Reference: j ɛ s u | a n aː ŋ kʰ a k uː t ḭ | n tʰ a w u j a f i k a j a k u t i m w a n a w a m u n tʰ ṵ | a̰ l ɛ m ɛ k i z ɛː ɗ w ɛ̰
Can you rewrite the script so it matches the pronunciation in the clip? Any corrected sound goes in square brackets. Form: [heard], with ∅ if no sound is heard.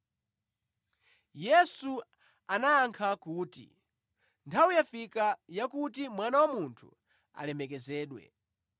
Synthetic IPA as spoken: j ɛ s u | a n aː ŋ kʰ a k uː t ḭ | n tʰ a w u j a f i k a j a k u t i m w a n a w a m u n tʰ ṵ | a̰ l ɛ m ɛ k [ɛ] z ɛː ɗ w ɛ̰